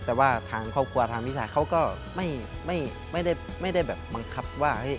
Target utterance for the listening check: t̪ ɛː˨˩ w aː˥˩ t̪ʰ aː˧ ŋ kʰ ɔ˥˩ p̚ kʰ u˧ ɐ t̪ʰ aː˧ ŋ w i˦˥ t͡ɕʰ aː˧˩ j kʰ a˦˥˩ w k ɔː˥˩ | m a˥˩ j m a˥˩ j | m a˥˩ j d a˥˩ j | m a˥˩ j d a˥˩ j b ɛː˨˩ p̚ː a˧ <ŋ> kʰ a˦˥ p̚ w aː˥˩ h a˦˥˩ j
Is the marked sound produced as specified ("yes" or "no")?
yes